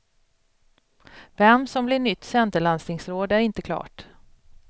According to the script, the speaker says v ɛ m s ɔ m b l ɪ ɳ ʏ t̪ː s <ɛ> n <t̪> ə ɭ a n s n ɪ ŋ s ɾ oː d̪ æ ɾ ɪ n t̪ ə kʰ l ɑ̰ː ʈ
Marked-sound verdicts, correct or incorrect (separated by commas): correct, correct